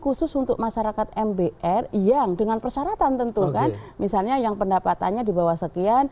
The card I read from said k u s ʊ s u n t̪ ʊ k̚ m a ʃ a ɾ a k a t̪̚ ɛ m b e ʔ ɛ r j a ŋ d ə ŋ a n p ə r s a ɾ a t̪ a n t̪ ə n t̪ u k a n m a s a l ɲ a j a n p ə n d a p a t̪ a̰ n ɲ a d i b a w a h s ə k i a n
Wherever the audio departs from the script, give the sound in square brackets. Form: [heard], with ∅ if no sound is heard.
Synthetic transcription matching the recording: k u s ʊ s u n t̪ ʊ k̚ m a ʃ a ɾ a k a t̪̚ ɛ m b e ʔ ɛ r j a ŋ d ə ŋ a n p ə r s a ɾ a t̪ a n t̪ ə n t̪ u k a n m [i] s a l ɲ a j a [ŋ] p ə n d a p a t̪ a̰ n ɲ a d i b a w a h s ə k i a n